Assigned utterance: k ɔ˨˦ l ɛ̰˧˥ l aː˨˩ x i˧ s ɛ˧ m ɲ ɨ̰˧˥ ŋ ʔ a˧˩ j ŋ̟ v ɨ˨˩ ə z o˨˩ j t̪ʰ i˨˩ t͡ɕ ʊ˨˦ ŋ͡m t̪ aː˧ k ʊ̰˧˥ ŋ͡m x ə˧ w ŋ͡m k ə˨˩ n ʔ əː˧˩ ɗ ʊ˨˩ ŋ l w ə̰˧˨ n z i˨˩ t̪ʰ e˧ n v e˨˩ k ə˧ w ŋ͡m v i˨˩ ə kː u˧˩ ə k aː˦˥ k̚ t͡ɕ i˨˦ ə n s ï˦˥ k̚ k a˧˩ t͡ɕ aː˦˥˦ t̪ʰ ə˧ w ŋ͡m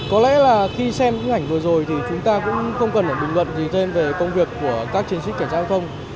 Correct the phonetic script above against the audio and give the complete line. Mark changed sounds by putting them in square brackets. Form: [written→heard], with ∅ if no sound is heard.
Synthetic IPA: k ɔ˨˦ l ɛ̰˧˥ l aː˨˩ x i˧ s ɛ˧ m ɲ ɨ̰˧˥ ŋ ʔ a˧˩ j ŋ̟ v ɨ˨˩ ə z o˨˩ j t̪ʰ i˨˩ t͡ɕ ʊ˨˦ ŋ͡m t̪ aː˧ k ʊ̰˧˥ ŋ͡m x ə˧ w ŋ͡m k ə˨˩ n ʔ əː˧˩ ɗ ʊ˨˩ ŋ l w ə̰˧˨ n z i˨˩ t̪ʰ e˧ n v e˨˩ k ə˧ w ŋ͡m v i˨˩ ə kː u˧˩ ə k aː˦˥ k̚ t͡ɕ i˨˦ ə n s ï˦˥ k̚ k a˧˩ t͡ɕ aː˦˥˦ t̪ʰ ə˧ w ŋ͡m